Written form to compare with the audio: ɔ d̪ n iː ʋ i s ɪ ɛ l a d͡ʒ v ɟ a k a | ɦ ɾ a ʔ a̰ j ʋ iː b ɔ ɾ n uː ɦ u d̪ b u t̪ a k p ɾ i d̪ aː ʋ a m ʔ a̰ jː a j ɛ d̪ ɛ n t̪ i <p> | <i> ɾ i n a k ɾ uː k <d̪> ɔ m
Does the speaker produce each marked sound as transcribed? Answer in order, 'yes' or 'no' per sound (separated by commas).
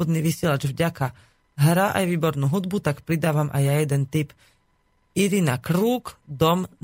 yes, yes, yes